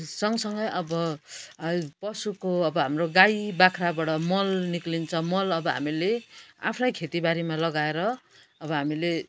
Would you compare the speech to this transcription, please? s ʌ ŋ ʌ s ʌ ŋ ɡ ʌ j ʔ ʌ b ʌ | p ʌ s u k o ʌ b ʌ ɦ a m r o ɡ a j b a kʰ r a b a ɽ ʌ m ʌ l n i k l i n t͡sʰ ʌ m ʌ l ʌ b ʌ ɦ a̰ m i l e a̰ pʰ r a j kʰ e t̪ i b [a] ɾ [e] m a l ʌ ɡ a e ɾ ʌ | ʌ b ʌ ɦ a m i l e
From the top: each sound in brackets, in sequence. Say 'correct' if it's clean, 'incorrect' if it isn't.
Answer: correct, incorrect

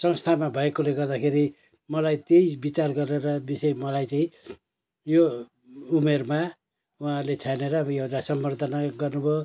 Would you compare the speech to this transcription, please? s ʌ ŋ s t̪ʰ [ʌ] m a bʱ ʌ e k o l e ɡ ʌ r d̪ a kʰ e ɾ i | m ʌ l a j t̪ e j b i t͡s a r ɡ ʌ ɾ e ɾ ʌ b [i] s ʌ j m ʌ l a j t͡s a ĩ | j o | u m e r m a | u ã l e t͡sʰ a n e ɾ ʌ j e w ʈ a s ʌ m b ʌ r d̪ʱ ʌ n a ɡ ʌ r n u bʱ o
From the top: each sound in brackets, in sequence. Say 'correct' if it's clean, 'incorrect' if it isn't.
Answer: incorrect, correct

